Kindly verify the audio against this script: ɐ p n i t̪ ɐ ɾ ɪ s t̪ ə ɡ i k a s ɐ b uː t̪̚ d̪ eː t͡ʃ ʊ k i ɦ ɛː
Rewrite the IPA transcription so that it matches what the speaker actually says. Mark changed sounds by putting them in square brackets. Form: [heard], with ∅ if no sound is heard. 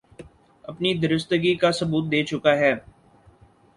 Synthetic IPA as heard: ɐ p n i [d̪] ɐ ɾ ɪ s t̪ ə ɡ i k a s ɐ b uː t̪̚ d̪ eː t͡ʃ ʊ k [a] ɦ ɛː